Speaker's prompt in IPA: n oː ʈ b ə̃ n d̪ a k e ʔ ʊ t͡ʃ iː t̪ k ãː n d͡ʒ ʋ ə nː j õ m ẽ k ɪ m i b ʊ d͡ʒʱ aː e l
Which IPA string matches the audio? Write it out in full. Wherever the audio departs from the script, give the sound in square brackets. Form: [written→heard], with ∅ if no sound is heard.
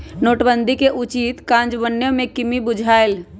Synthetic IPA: n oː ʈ b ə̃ n d̪ [a→i] k e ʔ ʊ t͡ʃ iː t̪ k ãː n d͡ʒ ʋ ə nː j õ m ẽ k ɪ m i b ʊ d͡ʒʱ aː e l